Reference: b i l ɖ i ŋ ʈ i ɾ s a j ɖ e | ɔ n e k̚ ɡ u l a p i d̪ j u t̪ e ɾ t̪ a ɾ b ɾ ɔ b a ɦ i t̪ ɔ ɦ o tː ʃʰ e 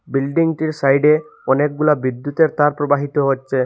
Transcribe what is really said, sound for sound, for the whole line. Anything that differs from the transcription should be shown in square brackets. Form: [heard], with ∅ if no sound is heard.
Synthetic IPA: b i l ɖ i ŋ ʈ i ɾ s a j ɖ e | ɔ n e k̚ ɡ u l a [b] i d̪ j u t̪ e ɾ t̪ a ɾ [p] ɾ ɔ b a ɦ i t̪ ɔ ɦ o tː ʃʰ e